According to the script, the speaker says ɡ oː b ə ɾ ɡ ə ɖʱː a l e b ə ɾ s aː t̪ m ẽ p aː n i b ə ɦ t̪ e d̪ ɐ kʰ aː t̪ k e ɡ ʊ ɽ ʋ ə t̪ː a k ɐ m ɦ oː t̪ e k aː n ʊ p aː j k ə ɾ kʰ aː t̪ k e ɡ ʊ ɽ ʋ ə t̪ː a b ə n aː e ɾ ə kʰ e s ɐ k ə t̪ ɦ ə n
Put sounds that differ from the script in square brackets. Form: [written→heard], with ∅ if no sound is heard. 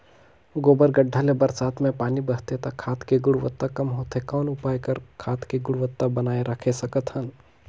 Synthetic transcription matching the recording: ɡ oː b ə ɾ ɡ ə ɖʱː a l e b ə ɾ s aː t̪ m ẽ p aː n i b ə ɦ t̪ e [d̪→t̪] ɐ kʰ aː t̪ k e ɡ ʊ ɽ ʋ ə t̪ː a k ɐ m ɦ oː t̪ e k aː n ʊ p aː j k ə ɾ kʰ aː t̪ k e ɡ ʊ ɽ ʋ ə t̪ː a b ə n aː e ɾ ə kʰ e s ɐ k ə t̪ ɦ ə n

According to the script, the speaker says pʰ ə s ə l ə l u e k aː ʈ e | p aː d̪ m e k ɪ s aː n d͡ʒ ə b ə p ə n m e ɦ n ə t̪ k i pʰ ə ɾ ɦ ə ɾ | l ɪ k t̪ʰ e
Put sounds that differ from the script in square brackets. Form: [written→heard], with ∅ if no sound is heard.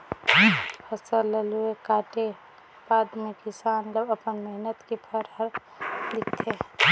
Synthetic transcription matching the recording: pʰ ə s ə l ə l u e k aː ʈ e | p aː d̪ m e k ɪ s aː n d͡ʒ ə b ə p ə n m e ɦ n ə t̪ k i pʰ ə ɾ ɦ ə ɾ | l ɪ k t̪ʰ e

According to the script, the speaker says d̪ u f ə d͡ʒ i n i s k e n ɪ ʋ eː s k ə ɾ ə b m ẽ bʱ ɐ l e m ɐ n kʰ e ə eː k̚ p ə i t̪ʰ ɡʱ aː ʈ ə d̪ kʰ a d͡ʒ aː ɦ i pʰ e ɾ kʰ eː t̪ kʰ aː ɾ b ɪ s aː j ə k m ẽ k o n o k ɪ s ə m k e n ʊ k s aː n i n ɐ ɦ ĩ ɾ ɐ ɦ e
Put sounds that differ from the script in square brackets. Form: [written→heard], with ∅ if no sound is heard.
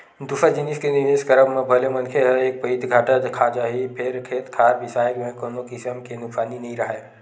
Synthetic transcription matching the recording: d̪ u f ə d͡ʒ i n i s k e n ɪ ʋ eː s k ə ɾ ə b m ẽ bʱ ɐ l e m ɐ n kʰ e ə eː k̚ p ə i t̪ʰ ɡʱ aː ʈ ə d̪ kʰ a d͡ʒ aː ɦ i pʰ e ɾ kʰ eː t̪ kʰ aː ɾ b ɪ s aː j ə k m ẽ k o n o k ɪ s ə m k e n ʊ k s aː n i n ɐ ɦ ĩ ɾ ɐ ɦ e

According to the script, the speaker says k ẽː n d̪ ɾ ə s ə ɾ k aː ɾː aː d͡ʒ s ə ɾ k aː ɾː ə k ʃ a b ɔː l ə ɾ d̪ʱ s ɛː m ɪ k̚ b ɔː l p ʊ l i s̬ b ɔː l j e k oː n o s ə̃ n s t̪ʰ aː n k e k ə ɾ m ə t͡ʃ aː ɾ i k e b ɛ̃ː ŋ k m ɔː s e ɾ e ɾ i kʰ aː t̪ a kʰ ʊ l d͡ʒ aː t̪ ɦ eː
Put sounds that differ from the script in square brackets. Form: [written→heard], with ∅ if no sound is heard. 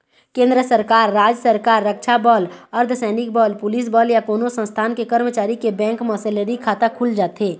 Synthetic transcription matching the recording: k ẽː n d̪ ɾ ə s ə ɾ k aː ɾː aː d͡ʒ s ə ɾ k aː ɾː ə k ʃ a b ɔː l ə ɾ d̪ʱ s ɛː [m→n] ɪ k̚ b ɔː l p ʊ l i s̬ b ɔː l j [e→a] k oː n o s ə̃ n s t̪ʰ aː n k e k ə ɾ m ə t͡ʃ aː ɾ i k e b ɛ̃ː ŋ k m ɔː s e [ɾ→l] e ɾ i kʰ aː t̪ a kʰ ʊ l d͡ʒ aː t̪ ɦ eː

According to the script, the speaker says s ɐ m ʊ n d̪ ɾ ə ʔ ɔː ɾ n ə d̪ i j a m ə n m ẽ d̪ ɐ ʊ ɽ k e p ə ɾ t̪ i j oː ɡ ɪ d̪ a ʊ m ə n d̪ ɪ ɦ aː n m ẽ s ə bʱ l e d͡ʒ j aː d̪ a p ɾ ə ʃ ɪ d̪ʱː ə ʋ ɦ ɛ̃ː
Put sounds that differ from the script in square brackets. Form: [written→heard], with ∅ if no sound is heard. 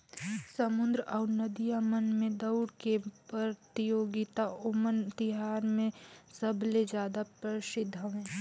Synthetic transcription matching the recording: s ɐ m ʊ n d̪ ɾ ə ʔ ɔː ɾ n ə d̪ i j a m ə n m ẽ d̪ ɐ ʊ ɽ k e p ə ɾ t̪ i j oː ɡ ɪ [d̪→t̪] a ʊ m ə n [d̪→t̪] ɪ ɦ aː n m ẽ s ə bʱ l e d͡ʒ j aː d̪ a p ɾ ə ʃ ɪ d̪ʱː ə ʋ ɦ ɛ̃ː

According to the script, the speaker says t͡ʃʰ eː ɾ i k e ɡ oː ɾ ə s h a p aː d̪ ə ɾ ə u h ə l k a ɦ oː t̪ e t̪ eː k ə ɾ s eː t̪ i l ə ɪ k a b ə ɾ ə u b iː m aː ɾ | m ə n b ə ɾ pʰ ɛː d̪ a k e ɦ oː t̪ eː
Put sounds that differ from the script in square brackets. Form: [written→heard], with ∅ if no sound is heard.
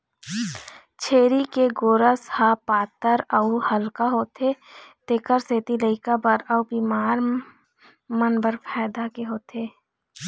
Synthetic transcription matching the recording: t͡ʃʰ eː ɾ i k e ɡ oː ɾ ə s h a p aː [d̪→t̪] ə ɾ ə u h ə l k a ɦ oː t̪ e t̪ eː k ə ɾ s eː t̪ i l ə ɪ k a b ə ɾ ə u b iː m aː ɾ | m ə n b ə ɾ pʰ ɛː d̪ a k e ɦ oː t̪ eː

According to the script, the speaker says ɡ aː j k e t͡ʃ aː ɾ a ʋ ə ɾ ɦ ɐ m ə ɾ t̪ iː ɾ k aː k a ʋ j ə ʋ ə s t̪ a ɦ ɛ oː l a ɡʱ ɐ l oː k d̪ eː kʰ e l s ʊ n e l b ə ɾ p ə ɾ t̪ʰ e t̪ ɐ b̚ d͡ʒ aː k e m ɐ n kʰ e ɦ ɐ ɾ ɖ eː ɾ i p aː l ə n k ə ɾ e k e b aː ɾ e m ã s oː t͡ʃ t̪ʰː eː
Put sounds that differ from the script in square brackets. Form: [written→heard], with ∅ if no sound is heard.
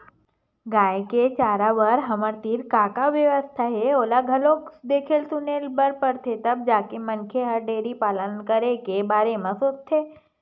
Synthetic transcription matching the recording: ɡ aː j k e t͡ʃ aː ɾ a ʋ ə ɾ ɦ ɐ m ə ɾ t̪ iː ɾ k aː k a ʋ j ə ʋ ə s [t̪→t̪ʰ] a ɦ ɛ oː l a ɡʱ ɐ l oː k d̪ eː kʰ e l s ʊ n e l b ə ɾ p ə ɾ t̪ʰ e t̪ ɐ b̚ d͡ʒ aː k e m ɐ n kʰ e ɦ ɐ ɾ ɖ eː ɾ i p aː l ə n k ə ɾ e k e b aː ɾ e m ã s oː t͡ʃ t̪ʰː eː

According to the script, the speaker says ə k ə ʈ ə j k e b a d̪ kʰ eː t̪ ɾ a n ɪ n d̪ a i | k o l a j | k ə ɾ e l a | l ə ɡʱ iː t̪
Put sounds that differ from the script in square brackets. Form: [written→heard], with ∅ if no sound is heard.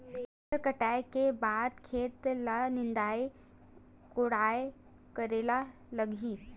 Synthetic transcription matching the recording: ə k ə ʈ [ə→a] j k e b a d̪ kʰ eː t̪ [ɾ→l] a n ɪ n d̪ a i | k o [l→ɽ] a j | k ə ɾ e l a | l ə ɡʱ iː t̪

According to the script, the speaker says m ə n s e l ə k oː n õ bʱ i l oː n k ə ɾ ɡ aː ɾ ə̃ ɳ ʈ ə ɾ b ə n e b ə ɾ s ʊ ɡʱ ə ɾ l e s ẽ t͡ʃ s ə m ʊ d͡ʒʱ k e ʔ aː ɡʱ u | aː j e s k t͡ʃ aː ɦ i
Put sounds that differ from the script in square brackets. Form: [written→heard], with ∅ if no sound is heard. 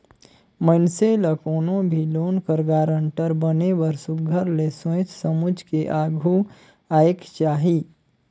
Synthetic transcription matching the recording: m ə n s e l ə k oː n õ bʱ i l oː n k ə ɾ ɡ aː ɾ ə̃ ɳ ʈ ə ɾ b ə n e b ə ɾ s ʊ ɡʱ ə ɾ l e s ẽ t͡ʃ s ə m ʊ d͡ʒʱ k e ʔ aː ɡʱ u | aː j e [s→∅] k t͡ʃ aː ɦ i

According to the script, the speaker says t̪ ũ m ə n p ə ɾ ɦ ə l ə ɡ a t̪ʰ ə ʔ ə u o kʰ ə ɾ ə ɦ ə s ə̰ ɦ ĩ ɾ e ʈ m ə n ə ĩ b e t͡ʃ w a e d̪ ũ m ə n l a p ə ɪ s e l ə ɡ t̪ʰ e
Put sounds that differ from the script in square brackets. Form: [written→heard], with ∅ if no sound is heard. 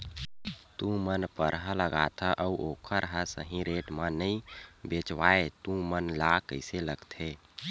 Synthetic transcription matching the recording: t̪ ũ m ə n p ə ɾ ɦ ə l ə ɡ a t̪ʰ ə ʔ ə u o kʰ ə ɾ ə ɦ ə s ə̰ ɦ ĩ ɾ e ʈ m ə n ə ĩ b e t͡ʃ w a e [d̪→t̪] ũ m ə n l a [p→k] ə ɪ s e l ə ɡ t̪ʰ e

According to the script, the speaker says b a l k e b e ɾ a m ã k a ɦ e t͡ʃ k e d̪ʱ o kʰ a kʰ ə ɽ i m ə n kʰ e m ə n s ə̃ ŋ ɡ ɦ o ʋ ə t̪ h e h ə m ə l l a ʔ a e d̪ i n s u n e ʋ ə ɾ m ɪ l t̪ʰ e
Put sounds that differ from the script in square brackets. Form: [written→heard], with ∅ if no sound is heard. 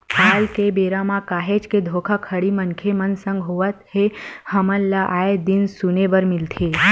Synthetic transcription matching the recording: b a l k e b e ɾ a m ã k a ɦ e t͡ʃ k e d̪ʱ o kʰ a kʰ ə ɽ i m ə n kʰ e m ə n s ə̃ ŋ ɡ ɦ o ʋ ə t̪ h e h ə m ə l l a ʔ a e d̪ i n s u n e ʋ ə ɾ m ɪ l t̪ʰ e

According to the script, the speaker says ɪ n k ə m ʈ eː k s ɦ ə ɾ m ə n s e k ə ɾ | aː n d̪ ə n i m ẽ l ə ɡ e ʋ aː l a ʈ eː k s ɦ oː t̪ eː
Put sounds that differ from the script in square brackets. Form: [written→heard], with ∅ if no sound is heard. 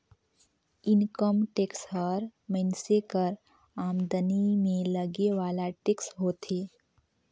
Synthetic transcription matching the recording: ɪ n k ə m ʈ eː k s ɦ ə ɾ m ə n s e k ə ɾ | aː [n→m] d̪ ə n i m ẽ l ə ɡ e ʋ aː l a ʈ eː k s ɦ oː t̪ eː

